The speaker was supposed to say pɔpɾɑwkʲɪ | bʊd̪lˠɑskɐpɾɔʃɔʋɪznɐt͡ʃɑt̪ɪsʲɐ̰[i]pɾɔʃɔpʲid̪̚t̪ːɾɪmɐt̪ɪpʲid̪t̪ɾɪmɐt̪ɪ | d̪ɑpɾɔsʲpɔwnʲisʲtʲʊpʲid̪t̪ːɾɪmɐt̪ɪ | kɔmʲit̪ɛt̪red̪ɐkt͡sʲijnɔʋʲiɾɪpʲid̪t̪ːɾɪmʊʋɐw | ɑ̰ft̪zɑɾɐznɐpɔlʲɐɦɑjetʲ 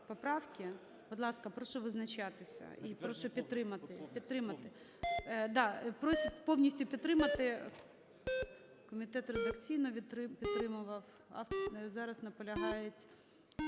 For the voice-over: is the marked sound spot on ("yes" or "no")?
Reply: yes